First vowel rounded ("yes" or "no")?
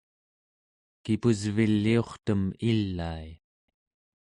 no